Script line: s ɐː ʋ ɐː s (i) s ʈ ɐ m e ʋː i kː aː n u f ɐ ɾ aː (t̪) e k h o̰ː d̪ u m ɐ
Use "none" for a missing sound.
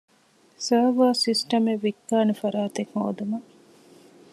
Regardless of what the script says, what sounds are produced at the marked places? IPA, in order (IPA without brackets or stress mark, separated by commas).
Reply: i, t̪